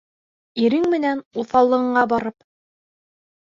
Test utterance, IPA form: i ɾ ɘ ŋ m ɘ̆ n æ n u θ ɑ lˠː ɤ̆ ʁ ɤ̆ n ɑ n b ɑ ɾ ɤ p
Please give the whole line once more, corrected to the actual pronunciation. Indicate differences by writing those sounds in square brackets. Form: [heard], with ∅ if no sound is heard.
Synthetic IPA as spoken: i ɾ ɘ ŋ m ɘ̆ n æ n u θ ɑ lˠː ɤ̆ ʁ ɤ̆ [ɴ] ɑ [∅] b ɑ ɾ ɤ p